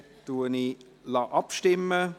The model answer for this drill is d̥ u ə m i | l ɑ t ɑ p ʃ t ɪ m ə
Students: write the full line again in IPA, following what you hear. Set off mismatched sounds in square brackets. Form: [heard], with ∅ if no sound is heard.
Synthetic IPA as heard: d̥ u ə [n] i | l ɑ [ʔ] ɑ p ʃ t ɪ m ə